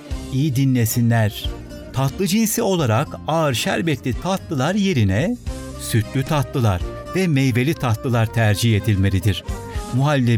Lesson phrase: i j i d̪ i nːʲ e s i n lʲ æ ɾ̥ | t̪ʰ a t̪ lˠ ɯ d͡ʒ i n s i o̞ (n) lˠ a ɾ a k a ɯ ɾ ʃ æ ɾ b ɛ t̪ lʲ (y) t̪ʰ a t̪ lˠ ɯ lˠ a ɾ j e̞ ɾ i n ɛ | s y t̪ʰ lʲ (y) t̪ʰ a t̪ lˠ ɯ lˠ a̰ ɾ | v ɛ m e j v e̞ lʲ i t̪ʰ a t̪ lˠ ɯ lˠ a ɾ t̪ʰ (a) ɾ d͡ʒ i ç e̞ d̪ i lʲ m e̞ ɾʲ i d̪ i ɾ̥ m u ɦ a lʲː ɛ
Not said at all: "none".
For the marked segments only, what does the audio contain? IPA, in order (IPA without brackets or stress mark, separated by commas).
none, i, y, æ